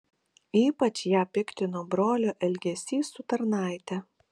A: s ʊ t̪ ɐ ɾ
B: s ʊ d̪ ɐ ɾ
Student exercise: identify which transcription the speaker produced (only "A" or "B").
A